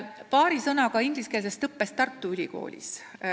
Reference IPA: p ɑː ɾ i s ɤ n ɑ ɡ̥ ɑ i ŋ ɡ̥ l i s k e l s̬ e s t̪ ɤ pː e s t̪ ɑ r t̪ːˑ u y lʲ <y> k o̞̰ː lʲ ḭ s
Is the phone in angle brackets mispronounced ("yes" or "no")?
yes